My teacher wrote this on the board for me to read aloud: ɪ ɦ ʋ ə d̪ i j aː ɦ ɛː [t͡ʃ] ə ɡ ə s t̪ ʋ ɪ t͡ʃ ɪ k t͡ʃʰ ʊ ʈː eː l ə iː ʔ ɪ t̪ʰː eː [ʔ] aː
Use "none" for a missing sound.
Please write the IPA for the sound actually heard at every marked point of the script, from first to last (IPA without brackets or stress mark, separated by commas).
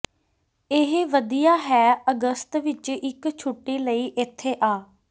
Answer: none, ʔ